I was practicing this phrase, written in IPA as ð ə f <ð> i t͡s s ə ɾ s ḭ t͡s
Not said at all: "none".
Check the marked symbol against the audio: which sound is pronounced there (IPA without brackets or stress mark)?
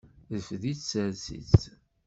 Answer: ð